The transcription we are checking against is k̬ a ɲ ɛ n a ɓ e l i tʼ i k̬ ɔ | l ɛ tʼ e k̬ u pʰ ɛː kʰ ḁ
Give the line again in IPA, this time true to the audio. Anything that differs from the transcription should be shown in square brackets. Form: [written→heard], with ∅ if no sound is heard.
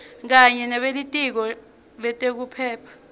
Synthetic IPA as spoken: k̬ a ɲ ɛ n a ɓ e l i tʼ i k̬ ɔ | l ɛ tʼ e k̬ u pʰ ɛː [kʰ→pʰ] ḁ